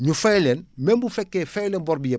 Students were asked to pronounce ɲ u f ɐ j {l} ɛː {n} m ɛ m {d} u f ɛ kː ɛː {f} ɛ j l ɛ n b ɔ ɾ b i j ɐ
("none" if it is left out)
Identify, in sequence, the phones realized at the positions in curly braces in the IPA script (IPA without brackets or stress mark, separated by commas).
l, n, b, f